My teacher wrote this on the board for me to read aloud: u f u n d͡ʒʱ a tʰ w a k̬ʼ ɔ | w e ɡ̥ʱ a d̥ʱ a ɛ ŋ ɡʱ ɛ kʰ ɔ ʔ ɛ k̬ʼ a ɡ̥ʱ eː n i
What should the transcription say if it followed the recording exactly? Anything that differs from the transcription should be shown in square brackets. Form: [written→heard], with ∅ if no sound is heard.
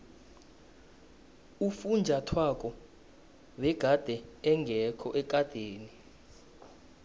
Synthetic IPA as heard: u f u n d͡ʒʱ a tʰ w a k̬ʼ ɔ | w [e→ɛ] ɡ̥ʱ a d̥ʱ [a→ɛ] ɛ ŋ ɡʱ ɛ kʰ ɔ ʔ ɛ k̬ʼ a [ɡ̥ʱ→d̥ʱ] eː n i